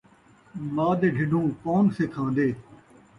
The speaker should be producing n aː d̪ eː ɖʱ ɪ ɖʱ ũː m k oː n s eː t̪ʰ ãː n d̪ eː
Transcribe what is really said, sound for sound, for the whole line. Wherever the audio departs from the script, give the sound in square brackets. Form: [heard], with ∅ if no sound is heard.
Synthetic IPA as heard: [m] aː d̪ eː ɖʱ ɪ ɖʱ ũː [∅] k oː n s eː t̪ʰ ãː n d̪ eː